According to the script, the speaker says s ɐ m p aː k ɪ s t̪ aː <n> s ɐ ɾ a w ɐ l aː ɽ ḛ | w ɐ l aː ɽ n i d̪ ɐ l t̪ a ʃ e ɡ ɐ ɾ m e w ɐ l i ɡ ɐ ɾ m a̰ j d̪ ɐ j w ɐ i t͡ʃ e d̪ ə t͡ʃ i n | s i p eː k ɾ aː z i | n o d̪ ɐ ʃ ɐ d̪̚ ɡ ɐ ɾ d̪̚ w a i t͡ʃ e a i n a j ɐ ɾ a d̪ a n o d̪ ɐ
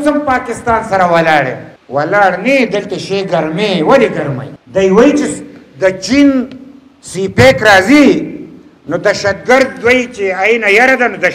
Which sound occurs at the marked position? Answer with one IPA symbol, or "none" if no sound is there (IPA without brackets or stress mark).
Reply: n